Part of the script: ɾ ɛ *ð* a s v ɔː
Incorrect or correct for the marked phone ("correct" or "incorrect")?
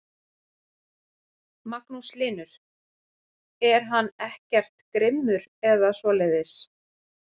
correct